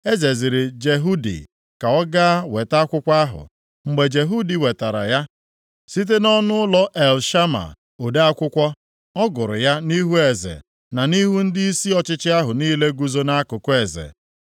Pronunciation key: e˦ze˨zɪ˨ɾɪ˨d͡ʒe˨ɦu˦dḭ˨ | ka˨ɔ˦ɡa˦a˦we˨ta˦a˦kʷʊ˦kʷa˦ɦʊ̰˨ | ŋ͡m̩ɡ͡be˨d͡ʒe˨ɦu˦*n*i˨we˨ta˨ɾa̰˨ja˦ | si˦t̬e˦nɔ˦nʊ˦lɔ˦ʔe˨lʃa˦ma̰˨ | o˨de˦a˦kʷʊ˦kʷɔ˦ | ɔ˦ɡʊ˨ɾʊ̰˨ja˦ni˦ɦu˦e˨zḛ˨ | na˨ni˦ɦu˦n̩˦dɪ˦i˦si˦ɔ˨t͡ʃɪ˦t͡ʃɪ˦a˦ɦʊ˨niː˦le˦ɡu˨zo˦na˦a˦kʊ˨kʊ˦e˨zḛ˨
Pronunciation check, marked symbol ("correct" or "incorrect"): incorrect